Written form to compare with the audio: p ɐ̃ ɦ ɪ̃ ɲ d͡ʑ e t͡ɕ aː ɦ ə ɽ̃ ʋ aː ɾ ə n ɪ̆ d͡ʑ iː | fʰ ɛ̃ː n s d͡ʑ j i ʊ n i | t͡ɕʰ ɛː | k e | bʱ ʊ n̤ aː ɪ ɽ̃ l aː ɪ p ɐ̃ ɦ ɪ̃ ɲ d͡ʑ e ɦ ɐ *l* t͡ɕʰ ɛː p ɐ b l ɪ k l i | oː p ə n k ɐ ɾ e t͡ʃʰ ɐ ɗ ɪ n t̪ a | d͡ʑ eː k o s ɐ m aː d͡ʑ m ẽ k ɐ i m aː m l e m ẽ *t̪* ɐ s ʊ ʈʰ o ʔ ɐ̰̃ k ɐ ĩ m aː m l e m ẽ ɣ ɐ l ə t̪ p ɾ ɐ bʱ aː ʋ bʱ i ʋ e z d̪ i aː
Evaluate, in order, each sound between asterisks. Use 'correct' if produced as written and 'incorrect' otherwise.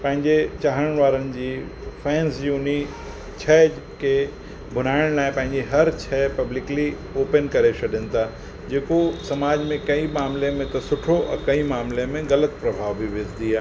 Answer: incorrect, correct

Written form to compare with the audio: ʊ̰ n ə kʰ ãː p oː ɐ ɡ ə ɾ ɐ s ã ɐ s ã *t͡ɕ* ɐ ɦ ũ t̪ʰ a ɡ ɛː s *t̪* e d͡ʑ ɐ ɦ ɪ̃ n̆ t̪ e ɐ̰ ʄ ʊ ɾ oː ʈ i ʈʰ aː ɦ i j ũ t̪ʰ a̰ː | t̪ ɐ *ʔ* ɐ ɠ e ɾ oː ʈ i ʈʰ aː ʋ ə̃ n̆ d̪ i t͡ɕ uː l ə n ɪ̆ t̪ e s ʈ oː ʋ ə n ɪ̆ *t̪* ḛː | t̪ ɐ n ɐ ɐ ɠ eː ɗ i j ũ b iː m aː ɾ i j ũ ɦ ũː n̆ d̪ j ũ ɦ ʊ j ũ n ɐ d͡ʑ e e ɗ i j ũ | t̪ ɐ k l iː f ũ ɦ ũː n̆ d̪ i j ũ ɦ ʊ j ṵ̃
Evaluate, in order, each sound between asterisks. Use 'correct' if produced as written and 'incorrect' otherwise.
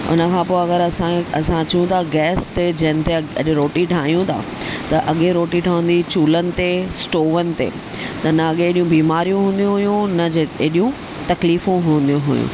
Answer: correct, correct, correct, correct

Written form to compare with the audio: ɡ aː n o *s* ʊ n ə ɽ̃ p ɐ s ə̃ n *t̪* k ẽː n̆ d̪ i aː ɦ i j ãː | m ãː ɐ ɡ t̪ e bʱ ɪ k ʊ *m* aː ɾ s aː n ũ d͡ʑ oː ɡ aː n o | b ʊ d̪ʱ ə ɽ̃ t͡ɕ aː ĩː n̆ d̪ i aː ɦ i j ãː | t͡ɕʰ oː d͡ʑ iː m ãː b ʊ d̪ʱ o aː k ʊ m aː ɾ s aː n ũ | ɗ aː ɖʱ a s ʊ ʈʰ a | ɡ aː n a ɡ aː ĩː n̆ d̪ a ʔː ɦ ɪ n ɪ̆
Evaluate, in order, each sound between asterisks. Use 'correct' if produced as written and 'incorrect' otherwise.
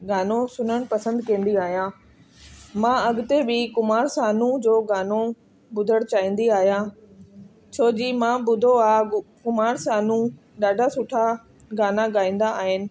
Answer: correct, incorrect, correct

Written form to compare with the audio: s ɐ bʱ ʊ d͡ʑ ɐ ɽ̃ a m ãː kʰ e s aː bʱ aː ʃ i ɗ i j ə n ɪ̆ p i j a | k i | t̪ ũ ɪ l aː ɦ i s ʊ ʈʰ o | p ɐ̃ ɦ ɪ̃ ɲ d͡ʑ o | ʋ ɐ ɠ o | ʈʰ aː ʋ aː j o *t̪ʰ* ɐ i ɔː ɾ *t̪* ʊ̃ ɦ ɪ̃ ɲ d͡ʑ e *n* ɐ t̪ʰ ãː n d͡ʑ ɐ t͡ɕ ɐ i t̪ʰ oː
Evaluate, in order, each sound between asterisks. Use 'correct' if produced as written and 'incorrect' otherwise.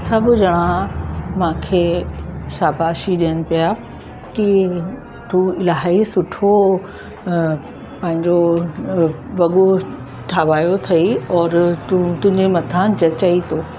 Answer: correct, correct, incorrect

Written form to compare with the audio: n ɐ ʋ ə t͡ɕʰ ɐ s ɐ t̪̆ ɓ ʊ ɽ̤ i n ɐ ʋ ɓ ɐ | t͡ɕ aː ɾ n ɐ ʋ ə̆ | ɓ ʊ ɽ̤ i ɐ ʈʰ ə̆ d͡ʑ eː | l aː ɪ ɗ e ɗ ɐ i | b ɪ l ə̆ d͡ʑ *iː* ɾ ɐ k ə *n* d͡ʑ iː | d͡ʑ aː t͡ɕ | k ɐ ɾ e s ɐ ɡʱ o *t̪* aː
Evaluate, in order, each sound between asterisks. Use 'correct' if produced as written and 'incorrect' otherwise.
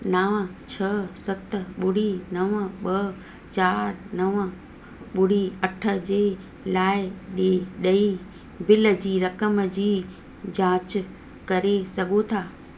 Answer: correct, incorrect, incorrect

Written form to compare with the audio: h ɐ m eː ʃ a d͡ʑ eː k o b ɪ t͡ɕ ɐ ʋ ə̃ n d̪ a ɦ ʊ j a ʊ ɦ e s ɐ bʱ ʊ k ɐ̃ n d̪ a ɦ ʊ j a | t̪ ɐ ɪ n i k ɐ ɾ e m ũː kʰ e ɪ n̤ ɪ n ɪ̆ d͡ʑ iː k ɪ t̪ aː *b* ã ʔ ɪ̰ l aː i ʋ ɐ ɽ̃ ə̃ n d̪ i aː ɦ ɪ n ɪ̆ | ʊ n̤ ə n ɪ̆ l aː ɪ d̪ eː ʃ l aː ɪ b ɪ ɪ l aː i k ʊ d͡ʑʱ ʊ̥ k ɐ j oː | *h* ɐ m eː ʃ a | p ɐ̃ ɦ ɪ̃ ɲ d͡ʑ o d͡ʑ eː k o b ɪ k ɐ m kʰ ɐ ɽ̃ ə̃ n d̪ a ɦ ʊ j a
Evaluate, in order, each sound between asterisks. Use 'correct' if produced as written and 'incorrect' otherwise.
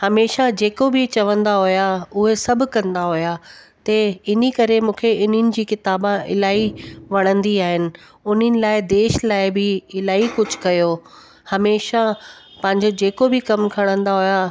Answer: correct, correct

